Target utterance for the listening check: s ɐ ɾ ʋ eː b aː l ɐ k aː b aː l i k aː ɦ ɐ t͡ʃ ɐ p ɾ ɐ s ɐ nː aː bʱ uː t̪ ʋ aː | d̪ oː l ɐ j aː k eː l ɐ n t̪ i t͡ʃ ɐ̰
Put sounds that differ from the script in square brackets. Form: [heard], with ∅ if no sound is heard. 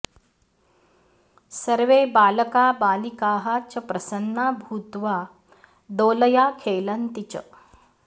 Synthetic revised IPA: s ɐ ɾ ʋ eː b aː l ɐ k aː b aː l i k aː ɦ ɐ t͡ʃ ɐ p ɾ ɐ s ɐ nː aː bʱ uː t̪ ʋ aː | d̪ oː l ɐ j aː [kʰ] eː l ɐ n t̪ i t͡ʃ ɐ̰